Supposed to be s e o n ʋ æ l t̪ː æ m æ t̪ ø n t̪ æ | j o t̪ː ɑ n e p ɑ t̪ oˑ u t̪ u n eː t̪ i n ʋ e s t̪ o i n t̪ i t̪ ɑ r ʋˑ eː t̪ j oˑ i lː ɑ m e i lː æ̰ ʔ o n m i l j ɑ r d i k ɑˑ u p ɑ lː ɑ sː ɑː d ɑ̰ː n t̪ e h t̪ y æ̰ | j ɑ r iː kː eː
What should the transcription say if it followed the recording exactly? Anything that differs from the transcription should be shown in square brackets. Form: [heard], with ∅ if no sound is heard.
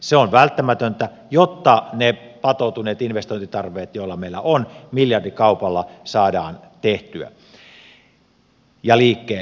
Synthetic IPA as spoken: s e o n ʋ æ l t̪ː æ m æ t̪ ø n t̪ æ | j o t̪ː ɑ n e p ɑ t̪ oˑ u t̪ u n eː t̪ i n ʋ e s t̪ o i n t̪ i t̪ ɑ r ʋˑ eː t̪ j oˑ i lː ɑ m e i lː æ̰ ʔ o n m i l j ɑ r d i k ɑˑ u p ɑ lː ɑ [s] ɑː d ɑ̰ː n t̪ e h t̪ y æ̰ | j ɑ [l] iː kː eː